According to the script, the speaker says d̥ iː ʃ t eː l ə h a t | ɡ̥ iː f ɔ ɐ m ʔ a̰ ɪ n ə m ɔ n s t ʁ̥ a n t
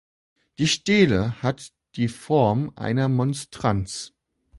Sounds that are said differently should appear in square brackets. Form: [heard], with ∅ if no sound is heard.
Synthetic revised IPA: d̥ iː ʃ t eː l ə h a t | [d̥] iː f ɔ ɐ m ʔ a̰ ɪ n [ɐ] m ɔ n s t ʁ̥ a n [t͡s]